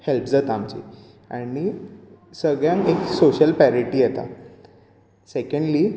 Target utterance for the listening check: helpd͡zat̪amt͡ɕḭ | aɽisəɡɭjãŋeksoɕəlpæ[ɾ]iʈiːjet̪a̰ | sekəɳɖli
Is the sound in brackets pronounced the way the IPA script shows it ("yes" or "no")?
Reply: yes